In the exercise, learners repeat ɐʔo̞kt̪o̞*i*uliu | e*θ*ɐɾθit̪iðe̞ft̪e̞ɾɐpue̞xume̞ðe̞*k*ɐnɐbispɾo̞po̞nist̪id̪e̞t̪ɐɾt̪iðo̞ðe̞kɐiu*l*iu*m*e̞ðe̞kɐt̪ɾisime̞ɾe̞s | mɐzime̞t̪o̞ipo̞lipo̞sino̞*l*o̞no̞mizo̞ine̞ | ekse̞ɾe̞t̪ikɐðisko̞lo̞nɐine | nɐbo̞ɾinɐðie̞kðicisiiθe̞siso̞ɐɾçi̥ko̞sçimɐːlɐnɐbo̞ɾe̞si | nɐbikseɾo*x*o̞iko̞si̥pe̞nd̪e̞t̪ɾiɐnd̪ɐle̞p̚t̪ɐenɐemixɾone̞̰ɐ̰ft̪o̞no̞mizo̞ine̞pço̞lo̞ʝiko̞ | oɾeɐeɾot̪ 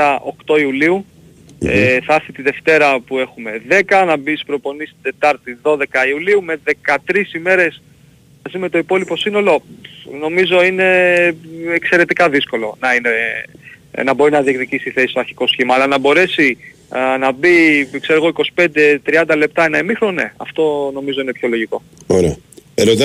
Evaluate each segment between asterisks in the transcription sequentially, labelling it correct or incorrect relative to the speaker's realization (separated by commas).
correct, correct, correct, correct, correct, correct, incorrect